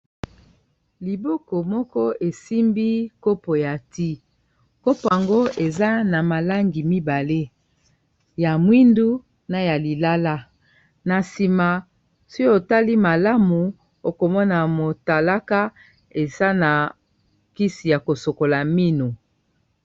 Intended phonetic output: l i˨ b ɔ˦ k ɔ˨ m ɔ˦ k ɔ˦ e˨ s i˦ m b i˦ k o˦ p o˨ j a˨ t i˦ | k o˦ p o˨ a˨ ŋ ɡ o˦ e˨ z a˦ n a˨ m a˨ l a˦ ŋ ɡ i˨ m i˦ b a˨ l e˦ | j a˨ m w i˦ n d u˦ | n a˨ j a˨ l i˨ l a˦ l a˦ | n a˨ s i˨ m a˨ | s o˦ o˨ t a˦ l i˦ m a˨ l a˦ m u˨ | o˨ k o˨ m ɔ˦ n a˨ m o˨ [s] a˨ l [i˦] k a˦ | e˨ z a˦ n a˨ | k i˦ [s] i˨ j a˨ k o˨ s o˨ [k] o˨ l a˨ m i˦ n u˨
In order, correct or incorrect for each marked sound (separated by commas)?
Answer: incorrect, incorrect, correct, correct